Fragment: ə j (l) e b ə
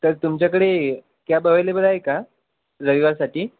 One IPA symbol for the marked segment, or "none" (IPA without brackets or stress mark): l